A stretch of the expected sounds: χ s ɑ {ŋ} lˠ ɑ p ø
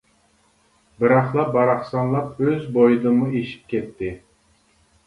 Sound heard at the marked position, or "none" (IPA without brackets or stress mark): n